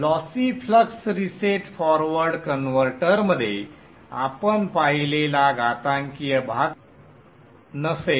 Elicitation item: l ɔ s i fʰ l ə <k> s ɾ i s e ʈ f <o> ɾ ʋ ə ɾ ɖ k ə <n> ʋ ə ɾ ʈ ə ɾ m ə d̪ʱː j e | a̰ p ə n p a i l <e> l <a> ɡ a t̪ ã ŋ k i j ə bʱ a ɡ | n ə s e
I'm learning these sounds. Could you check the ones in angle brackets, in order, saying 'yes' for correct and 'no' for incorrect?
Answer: yes, no, yes, yes, yes

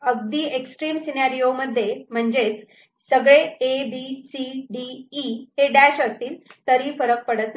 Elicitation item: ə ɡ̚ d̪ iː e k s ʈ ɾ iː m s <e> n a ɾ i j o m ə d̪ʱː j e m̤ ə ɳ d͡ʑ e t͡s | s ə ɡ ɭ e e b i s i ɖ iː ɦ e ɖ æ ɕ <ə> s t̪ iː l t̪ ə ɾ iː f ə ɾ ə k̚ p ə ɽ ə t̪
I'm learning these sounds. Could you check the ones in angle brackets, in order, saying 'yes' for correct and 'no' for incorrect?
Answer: no, yes

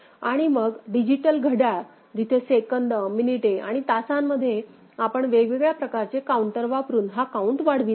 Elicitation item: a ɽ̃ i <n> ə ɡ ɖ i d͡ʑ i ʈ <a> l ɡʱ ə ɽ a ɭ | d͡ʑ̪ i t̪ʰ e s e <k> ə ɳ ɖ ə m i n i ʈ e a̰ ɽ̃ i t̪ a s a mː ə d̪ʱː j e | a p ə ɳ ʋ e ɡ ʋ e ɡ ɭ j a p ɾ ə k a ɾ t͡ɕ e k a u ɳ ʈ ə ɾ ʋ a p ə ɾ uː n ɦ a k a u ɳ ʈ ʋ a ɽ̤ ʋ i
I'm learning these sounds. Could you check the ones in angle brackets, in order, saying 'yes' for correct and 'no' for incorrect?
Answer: no, no, yes

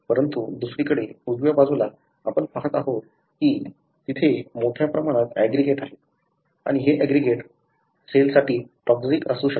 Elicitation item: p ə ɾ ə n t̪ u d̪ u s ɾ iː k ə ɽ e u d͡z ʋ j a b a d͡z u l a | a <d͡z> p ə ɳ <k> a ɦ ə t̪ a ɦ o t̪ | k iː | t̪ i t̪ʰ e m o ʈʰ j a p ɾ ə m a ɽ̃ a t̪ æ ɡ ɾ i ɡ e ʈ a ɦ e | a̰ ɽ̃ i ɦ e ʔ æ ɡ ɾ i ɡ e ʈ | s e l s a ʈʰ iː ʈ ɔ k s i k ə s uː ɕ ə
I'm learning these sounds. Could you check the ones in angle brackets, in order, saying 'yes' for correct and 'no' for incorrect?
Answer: no, no

